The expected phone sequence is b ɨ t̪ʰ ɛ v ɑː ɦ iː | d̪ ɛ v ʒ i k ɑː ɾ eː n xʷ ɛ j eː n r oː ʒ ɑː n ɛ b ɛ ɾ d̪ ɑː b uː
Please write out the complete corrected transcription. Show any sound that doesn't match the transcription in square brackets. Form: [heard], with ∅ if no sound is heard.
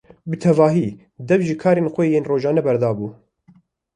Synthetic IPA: b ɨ t̪ʰ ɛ v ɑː ɦ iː | d̪ ɛ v ʒ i [kʰ] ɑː ɾ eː n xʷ ɛ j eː n r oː ʒ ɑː n ɛ b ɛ ɾ d̪ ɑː b uː